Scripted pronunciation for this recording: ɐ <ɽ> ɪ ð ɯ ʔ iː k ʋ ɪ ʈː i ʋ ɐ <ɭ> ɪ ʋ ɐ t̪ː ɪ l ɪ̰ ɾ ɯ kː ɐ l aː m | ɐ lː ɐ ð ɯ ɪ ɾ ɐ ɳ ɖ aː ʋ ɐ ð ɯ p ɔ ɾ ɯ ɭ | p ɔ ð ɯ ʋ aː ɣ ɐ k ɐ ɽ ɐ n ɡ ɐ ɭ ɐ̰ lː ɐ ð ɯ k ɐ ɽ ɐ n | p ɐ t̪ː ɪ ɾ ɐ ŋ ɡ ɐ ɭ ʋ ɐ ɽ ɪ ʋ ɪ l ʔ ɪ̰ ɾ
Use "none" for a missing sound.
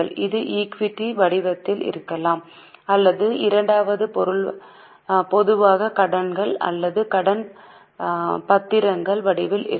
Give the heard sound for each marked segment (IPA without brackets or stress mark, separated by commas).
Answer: ɭ, ɽ